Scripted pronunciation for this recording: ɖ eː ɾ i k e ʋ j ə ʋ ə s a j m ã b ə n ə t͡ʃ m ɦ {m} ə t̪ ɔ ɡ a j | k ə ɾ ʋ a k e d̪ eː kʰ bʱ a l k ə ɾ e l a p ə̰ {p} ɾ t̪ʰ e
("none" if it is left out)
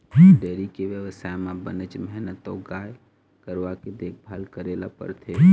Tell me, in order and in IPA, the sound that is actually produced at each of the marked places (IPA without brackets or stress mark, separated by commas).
n, none